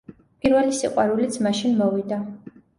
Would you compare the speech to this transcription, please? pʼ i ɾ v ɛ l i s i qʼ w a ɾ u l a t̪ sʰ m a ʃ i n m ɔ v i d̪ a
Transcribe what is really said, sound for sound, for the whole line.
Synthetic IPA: pʼ i ɾ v ɛ l i s i qʼ w a ɾ u l i t̪ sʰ m a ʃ i n m ɔ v i d̪ a

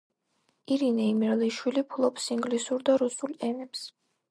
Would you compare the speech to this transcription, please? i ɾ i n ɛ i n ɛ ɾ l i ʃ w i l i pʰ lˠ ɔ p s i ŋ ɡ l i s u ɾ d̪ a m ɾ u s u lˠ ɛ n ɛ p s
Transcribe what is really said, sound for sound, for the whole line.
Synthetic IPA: i ɾ i n ɛ i m ɛ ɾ l i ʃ w i l i pʰ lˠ ɔ p s i ŋ ɡ l i s u ɾ d̪ a ɾ u s u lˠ ɛ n ɛ p s

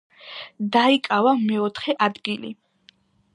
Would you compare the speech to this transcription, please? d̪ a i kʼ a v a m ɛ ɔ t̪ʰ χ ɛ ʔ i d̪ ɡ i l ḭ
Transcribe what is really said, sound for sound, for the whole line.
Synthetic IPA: d̪ a i kʼ a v a m ɛ ɔ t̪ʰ χ ɛ ʔ a d̪ ɡ i l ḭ

